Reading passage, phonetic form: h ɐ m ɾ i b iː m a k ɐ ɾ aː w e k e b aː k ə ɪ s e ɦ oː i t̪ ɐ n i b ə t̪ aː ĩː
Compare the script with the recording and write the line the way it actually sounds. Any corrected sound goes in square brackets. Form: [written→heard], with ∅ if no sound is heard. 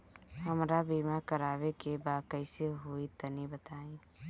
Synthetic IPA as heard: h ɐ m ɾ [i→a] b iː m a k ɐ ɾ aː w e k e b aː k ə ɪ s e ɦ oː i t̪ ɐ n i b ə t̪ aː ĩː